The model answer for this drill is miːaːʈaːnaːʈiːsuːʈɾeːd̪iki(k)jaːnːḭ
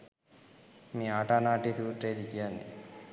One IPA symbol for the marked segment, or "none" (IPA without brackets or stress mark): none